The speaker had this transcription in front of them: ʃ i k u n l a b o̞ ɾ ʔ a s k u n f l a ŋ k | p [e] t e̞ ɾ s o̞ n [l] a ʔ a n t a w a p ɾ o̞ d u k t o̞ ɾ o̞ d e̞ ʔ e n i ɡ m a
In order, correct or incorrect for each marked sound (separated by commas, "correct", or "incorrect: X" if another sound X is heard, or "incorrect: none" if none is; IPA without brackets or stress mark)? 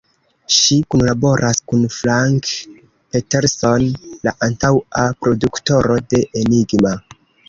correct, correct